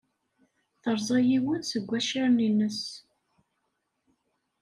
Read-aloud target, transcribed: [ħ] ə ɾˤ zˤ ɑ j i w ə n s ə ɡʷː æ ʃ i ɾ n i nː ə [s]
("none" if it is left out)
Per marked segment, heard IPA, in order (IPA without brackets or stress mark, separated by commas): θ, s